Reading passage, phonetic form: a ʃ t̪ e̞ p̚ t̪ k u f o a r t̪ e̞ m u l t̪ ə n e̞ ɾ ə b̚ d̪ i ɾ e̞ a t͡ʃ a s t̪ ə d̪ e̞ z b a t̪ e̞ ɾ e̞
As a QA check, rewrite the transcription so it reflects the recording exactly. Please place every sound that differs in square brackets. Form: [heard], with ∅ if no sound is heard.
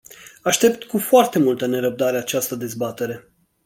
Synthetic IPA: a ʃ t̪ e̞ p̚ t̪ k u f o a r t̪ e̞ m u l t̪ ə n e̞ ɾ ə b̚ d̪ [a] ɾ e̞ a t͡ʃ a s t̪ ə d̪ e̞ z b a t̪ e̞ ɾ e̞